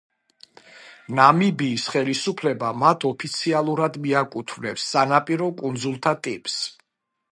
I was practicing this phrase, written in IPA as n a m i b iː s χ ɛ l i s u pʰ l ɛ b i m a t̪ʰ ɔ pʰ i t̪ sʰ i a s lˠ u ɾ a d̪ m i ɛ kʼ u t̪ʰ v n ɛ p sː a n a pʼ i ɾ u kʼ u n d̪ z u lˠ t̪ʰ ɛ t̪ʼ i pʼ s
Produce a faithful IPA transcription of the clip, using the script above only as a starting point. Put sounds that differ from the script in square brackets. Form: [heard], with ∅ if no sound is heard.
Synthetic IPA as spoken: n a m i b iː s χ ɛ l i s u pʰ l ɛ b [a] m a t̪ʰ ɔ pʰ i t̪ sʰ i a [∅] lˠ u ɾ a d̪ m i [a] kʼ u t̪ʰ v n ɛ p sː a n a pʼ i ɾ [ɔ] kʼ u n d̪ z u lˠ t̪ʰ [a] t̪ʼ i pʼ s

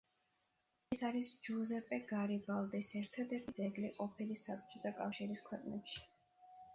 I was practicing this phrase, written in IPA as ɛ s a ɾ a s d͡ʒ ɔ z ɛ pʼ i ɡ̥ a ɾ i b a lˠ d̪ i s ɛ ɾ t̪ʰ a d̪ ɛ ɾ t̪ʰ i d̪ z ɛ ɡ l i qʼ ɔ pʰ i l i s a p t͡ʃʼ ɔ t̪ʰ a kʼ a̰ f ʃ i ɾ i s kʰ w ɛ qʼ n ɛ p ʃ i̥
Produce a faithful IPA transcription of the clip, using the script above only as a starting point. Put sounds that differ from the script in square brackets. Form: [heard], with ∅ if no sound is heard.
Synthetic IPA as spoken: ɛ s a ɾ [i] s d͡ʒ [u] z ɛ pʼ [ɛ] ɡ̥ a ɾ i b a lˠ d̪ i s ɛ ɾ t̪ʰ a d̪ ɛ ɾ t̪ʰ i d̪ z ɛ ɡ l i qʼ ɔ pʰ i l i s a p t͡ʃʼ ɔ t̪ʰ a kʼ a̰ f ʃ i ɾ i s kʰ w ɛ qʼ n ɛ p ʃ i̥

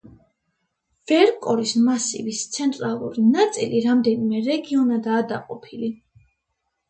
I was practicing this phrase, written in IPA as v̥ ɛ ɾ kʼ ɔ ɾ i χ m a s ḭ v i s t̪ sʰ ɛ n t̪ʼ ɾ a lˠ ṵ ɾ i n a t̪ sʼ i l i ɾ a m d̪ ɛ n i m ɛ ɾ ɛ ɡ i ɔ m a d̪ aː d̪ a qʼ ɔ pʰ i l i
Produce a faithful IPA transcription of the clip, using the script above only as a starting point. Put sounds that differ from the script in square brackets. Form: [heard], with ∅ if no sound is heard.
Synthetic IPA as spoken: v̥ ɛ ɾ kʼ ɔ ɾ i [s] m a s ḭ v i s t̪ sʰ ɛ n t̪ʼ ɾ a lˠ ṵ ɾ i n a t̪ sʼ i l i ɾ a m d̪ ɛ n i m ɛ ɾ ɛ ɡ i ɔ [n] a d̪ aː d̪ a qʼ ɔ pʰ i l i

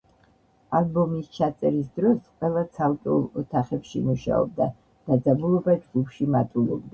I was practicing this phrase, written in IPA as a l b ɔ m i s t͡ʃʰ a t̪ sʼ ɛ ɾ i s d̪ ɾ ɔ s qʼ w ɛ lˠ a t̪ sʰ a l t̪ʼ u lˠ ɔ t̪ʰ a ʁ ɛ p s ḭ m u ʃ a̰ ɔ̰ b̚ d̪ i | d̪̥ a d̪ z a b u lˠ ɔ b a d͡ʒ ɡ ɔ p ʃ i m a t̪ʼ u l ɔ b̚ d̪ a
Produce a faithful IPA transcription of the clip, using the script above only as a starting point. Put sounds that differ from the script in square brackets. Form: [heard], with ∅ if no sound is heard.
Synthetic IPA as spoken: a l b ɔ m i s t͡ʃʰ a t̪ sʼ ɛ ɾ i s d̪ ɾ ɔ s qʼ w ɛ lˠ a t̪ sʰ a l t̪ʼ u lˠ ɔ t̪ʰ a [χ] ɛ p [ʃ] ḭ m u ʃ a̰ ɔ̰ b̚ d̪ [a] | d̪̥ a d̪ z a b u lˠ ɔ b a d͡ʒ ɡ [u] p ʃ i m a t̪ʼ u l ɔ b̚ d̪ a

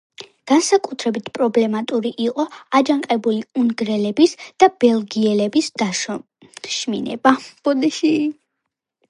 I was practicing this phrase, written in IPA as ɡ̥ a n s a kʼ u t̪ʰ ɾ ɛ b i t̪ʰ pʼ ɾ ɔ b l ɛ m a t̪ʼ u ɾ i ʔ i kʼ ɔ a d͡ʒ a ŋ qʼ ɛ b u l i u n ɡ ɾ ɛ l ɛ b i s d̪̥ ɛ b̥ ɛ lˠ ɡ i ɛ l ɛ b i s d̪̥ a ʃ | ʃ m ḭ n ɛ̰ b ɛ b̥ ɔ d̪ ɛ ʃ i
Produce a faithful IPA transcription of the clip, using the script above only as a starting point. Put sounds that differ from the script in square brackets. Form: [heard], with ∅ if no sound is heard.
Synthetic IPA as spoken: ɡ̥ a n s a kʼ u t̪ʰ ɾ ɛ b i t̪ʰ pʼ ɾ ɔ b l ɛ m a t̪ʼ u ɾ i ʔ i [qʼ] ɔ a d͡ʒ a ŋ qʼ ɛ b u l i u n ɡ ɾ ɛ l ɛ b i s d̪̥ [a] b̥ ɛ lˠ ɡ i ɛ l ɛ b i s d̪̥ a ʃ | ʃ m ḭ n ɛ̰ b [a] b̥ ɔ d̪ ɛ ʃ i

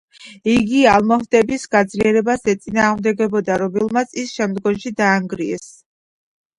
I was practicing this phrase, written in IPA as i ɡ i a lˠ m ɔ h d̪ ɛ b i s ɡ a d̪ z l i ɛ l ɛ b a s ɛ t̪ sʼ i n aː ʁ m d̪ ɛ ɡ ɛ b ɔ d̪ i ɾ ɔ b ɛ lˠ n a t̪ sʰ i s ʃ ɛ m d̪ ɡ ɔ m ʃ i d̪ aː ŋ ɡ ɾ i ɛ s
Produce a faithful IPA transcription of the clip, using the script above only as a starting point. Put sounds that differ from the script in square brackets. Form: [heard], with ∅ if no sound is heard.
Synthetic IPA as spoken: i ɡ i a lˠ m ɔ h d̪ ɛ b i s ɡ a d̪ z l i ɛ [ɾ] ɛ b a s ɛ t̪ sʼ i n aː ʁ m d̪ ɛ ɡ ɛ b ɔ d̪ [a] ɾ ɔ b ɛ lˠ [m] a t̪ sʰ i s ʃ ɛ m d̪ ɡ ɔ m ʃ i d̪ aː ŋ ɡ ɾ i ɛ s

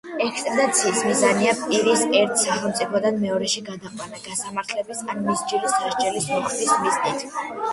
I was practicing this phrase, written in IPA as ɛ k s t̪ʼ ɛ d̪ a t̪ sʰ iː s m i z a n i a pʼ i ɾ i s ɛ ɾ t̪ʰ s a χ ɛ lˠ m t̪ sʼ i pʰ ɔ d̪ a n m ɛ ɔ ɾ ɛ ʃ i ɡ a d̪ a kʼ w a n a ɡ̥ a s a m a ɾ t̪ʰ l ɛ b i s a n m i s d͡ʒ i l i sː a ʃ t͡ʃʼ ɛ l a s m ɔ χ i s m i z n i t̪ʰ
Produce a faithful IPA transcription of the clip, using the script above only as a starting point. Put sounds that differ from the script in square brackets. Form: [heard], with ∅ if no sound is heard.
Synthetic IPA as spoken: ɛ k s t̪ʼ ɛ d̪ a t̪ sʰ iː s m i z a n i a pʼ i ɾ i s ɛ ɾ t̪ʰ s a χ ɛ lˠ m t̪ sʼ i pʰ ɔ d̪ a n m ɛ ɔ ɾ ɛ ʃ i ɡ a d̪ a [qʼ] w a n a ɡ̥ a s a m a ɾ t̪ʰ l ɛ b i s a n m i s d͡ʒ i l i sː a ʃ t͡ʃʼ ɛ l [i] s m ɔ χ i s m i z n i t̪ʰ

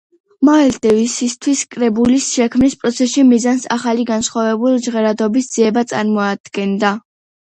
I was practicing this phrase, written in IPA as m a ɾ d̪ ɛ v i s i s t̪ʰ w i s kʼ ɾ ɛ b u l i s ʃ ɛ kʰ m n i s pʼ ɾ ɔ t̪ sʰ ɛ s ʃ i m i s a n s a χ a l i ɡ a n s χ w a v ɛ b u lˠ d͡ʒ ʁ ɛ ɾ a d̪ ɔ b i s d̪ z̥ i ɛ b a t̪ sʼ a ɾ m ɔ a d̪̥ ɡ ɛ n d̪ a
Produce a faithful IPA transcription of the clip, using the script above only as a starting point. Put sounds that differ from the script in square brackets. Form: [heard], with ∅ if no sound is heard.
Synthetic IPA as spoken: m a [l] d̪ ɛ v i s i s t̪ʰ w i s kʼ ɾ ɛ b u l i s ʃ ɛ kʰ m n i s pʼ ɾ ɔ t̪ sʰ ɛ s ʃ i m i [z] a n s a χ a l i ɡ a n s χ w a v ɛ b u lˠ d͡ʒ ʁ ɛ ɾ a d̪ ɔ b i s d̪ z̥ i ɛ b a t̪ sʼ a ɾ m ɔ a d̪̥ ɡ ɛ n d̪ a

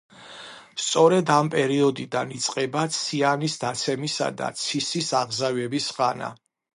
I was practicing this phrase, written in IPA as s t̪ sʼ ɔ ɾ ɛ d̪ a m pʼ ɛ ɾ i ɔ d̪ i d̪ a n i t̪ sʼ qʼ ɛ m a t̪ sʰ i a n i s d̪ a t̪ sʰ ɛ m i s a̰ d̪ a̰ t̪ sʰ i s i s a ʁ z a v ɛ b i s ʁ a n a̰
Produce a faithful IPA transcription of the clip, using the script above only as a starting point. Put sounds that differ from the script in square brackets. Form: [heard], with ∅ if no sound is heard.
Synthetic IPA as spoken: s t̪ sʼ ɔ ɾ ɛ d̪ a m pʼ ɛ ɾ i ɔ d̪ i d̪ a n i t̪ sʼ qʼ ɛ [b] a t̪ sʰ i a n i s d̪ a t̪ sʰ ɛ m i s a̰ d̪ a̰ t̪ sʰ i s i s a ʁ z a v ɛ b i s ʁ a n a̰

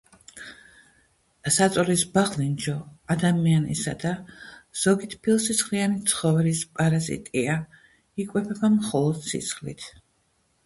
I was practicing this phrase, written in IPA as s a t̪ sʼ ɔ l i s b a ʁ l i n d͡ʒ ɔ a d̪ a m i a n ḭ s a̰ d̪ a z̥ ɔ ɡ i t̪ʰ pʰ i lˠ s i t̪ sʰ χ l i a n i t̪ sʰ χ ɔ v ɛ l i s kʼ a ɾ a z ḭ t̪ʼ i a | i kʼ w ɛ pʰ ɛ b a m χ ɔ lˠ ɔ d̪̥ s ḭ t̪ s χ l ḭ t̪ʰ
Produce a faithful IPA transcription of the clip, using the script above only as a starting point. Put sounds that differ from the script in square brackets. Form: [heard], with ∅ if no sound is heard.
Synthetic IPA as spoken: s a t̪ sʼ ɔ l i s b a ʁ l i n d͡ʒ ɔ a d̪ a m i a n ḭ s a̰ d̪ a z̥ ɔ ɡ i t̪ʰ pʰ i lˠ s i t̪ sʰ χ l i a n i t̪ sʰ χ ɔ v ɛ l i s [pʼ] a ɾ a z ḭ t̪ʼ i a | i kʼ w ɛ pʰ ɛ b a m χ ɔ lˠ ɔ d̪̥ s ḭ t̪ s χ l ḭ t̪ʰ

